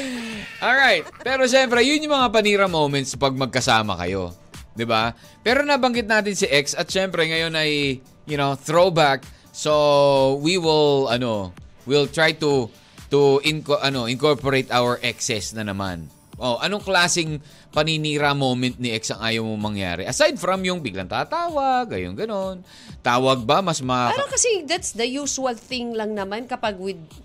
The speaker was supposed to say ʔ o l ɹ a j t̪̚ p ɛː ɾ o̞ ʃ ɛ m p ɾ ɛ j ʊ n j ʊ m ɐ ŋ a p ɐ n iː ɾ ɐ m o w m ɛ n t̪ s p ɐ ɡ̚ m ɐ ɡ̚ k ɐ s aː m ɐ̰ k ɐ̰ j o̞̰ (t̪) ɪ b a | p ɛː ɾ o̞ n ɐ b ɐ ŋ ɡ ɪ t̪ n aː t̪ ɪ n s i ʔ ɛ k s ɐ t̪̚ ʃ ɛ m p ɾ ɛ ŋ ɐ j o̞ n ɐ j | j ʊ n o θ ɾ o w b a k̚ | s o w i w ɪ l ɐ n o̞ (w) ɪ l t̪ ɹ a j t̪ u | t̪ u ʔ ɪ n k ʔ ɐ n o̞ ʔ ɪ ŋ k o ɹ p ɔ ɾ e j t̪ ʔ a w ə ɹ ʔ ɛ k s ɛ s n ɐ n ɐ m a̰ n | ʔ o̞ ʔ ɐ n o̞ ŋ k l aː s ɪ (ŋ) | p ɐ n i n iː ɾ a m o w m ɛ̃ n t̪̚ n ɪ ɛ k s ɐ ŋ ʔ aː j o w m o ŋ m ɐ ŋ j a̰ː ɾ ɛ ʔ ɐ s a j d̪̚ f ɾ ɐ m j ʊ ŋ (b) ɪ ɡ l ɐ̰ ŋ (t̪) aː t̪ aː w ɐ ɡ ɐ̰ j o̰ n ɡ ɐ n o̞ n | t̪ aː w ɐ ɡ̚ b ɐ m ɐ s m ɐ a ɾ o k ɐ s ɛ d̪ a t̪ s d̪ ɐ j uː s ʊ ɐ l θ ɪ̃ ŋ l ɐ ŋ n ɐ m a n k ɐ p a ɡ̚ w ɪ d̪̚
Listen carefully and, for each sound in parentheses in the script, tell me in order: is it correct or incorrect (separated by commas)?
incorrect, correct, correct, correct, correct